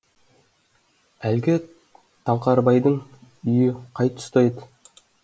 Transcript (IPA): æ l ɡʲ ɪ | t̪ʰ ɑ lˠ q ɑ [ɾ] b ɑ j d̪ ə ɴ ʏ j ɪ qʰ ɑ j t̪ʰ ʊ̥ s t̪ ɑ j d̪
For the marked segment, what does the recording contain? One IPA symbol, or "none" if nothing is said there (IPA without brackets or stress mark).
ɾ